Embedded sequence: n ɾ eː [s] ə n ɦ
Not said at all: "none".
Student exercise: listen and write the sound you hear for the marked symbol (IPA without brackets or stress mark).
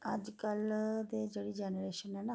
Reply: ʃ